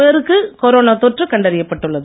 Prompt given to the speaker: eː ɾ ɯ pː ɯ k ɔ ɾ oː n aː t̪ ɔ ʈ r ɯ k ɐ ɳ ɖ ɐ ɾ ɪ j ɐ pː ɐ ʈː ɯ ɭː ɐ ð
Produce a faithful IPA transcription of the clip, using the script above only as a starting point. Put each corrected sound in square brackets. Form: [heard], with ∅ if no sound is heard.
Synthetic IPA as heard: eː ɾ ɯ [kː] ɯ k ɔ ɾ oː n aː t̪ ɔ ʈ r ɯ k ɐ ɳ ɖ ɐ ɾ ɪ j ɐ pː ɐ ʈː ɯ ɭː ɐ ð